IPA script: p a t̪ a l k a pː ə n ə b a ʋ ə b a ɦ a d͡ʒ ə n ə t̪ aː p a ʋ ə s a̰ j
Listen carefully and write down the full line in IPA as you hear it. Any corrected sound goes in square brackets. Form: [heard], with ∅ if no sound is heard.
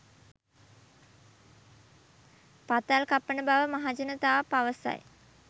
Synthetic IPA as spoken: p a t̪ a l k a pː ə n ə b a ʋ ə [m] a ɦ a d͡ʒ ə n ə t̪ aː p a ʋ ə s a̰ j

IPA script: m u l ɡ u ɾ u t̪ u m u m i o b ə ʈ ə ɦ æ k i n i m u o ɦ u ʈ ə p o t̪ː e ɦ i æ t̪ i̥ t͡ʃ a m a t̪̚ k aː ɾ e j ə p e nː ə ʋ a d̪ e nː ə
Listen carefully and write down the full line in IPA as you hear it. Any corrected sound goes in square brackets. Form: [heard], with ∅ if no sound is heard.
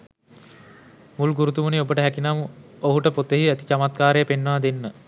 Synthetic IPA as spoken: m u l ɡ u ɾ u t̪ u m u [n] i o b ə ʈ ə ɦ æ k i n [a] m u o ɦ u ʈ ə p o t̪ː e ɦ i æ t̪ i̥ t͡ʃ a m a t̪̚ k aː ɾ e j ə p e nː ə ʋ a d̪ e nː ə

